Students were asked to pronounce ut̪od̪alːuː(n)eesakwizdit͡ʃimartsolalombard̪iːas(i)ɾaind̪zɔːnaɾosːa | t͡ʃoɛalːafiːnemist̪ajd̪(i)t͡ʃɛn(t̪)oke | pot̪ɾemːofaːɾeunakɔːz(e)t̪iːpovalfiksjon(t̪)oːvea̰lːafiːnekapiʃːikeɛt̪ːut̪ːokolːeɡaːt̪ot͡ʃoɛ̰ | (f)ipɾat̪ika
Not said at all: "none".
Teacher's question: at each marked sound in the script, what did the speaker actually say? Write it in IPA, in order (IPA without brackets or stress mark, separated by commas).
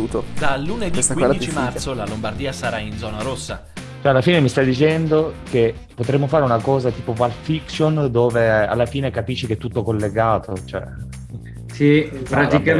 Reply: n, a, i, d̪, a, d̪, s